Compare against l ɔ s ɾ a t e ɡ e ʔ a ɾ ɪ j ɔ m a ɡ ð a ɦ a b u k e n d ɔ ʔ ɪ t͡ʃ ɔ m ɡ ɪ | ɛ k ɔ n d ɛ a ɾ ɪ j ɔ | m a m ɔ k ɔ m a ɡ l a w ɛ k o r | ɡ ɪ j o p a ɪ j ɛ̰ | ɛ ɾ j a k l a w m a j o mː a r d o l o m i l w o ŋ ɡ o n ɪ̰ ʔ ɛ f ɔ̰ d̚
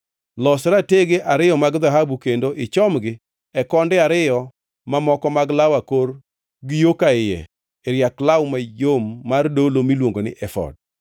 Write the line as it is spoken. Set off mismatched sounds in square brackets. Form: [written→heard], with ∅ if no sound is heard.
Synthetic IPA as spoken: l ɔ s ɾ a t e ɡ e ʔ a ɾ ɪ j ɔ m a ɡ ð a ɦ a b u k e n d [ɔ→o] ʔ ɪ t͡ʃ ɔ m ɡ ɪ | ɛ k ɔ n d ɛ a ɾ ɪ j ɔ | m a m ɔ k ɔ m a ɡ l a w [ɛ→a] k o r | ɡ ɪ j o [p→k] a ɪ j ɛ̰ | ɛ ɾ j a k l a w m a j o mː a r d o l o m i l w o ŋ ɡ o n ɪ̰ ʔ ɛ f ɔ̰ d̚